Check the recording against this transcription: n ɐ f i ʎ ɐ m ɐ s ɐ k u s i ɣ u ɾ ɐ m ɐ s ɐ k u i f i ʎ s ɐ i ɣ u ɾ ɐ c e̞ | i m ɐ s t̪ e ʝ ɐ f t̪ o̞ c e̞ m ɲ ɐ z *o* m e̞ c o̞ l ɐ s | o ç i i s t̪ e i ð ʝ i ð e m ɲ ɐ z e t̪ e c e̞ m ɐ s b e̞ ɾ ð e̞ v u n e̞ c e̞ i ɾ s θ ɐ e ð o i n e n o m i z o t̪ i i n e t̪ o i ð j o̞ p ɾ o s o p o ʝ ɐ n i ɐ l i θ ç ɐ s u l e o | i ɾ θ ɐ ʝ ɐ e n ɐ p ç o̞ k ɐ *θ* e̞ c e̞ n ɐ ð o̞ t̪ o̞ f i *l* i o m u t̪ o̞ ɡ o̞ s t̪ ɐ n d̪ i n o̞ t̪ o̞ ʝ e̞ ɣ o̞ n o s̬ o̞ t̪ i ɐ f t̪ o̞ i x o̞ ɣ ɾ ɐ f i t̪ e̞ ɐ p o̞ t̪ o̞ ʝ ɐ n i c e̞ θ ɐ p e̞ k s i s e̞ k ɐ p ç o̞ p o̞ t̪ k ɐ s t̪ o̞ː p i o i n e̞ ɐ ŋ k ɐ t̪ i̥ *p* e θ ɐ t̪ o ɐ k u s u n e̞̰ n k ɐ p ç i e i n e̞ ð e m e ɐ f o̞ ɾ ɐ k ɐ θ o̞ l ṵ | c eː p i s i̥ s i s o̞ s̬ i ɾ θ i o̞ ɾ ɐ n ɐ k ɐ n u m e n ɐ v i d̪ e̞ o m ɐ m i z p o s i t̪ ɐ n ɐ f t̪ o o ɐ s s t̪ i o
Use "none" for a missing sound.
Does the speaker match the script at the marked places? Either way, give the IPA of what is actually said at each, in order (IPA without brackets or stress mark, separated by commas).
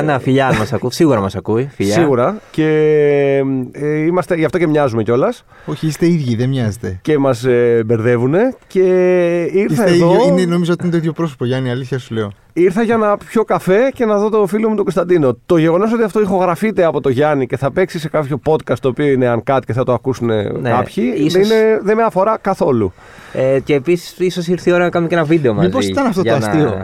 u, f, l, c